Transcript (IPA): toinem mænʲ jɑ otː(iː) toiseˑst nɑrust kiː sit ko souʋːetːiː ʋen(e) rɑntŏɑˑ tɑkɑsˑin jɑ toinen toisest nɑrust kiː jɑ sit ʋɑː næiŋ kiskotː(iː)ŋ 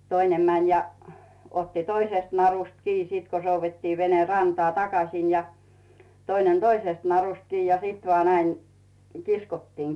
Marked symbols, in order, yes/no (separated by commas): no, yes, yes